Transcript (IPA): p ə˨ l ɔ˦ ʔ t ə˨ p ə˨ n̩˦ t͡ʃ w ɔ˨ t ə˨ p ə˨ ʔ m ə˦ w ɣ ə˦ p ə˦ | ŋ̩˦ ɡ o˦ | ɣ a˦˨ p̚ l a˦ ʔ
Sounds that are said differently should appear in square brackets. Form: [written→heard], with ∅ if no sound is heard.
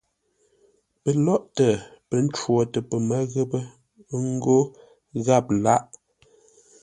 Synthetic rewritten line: p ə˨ l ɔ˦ ʔ t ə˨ p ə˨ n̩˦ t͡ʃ w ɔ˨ t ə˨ p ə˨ [ʔ→∅] m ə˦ [w→∅] ɣ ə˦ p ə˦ | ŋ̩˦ ɡ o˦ | ɣ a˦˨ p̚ l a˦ ʔ